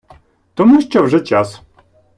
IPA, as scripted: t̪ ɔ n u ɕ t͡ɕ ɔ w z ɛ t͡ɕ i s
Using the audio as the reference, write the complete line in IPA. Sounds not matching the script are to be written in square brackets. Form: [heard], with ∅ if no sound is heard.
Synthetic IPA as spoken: t̪ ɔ [m] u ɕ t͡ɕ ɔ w [ʐ] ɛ t͡ɕ [a] s

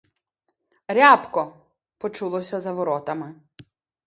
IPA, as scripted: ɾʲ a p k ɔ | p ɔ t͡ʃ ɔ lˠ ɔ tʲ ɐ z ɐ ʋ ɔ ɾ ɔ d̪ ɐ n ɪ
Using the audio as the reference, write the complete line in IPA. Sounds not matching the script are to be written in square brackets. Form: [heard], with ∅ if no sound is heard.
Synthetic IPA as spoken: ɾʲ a p k ɔ | p ɔ t͡ʃ [u] lˠ ɔ [sʲ] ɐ z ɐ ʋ ɔ ɾ ɔ [t̪] ɐ [m] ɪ

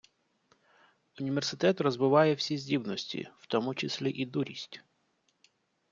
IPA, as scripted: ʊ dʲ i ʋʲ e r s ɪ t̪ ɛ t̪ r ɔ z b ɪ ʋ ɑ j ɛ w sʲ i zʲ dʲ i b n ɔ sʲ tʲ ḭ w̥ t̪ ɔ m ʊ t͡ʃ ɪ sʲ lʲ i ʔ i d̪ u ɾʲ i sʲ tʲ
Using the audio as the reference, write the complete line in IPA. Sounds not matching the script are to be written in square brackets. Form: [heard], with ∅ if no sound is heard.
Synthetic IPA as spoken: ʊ [nʲ] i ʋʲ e r s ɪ t̪ ɛ t̪ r ɔ z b ɪ ʋ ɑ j ɛ w sʲ i zʲ dʲ i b n ɔ sʲ tʲ ḭ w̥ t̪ ɔ m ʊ t͡ʃ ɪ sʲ lʲ i ʔ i d̪ u ɾʲ i sʲ tʲ

